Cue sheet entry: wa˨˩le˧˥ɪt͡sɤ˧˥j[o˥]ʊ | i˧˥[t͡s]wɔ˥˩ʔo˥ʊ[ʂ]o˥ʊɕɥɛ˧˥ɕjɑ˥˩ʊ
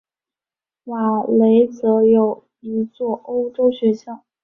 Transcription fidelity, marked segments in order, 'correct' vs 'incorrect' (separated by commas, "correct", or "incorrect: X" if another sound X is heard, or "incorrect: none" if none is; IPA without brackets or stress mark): incorrect: o˨˩, correct, incorrect: ʈ͡ʂ